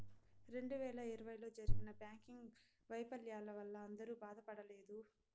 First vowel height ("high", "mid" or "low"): mid